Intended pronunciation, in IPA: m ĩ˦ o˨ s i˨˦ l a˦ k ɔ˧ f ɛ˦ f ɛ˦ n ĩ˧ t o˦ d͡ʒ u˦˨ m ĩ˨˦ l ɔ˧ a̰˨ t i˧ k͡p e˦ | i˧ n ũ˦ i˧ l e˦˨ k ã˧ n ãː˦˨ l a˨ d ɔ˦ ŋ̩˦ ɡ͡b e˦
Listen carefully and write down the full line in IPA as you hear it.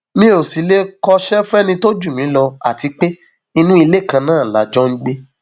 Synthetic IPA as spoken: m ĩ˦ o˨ s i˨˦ l e˦ k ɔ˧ ʃ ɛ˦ f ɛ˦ n ĩ˧ t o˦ d͡ʒ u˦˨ m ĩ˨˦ l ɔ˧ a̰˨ t i˧ k͡p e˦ | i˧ n ũ˦ i˧ l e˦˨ k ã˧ n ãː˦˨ l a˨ d͡ʒ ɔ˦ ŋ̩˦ ɡ͡b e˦